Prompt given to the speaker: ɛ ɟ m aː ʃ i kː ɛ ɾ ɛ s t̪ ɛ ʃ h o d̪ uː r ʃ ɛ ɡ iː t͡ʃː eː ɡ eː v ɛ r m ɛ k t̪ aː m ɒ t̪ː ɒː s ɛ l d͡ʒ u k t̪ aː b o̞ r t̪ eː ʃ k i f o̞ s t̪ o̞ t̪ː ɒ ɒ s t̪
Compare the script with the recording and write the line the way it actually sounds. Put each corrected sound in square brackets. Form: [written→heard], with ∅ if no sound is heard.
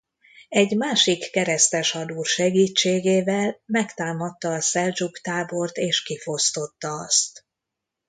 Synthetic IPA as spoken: ɛ ɟ m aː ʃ i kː ɛ ɾ ɛ s t̪ ɛ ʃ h [o→ɒ] d̪ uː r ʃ ɛ ɡ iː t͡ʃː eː ɡ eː v ɛ [r→l] m ɛ k t̪ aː m ɒ t̪ː ɒː s ɛ l d͡ʒ u k t̪ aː b o̞ r t̪ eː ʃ k i f o̞ s t̪ o̞ t̪ː ɒ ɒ s t̪